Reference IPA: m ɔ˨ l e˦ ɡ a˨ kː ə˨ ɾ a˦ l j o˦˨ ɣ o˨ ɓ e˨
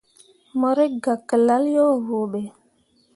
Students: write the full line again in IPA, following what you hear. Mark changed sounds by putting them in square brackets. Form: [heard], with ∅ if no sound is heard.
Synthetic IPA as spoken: m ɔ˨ [ɾ] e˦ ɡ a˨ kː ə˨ [l] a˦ l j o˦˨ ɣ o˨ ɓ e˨